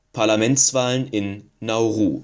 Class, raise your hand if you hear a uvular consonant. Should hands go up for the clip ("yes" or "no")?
yes